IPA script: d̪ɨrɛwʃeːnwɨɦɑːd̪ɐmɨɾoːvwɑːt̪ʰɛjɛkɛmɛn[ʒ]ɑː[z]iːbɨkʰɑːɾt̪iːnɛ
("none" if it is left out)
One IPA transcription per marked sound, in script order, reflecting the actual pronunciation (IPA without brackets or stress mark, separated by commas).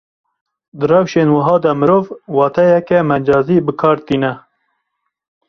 d͡ʒ, z